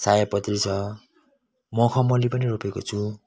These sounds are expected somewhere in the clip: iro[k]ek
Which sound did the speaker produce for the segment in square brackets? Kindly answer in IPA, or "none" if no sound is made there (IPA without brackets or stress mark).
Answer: p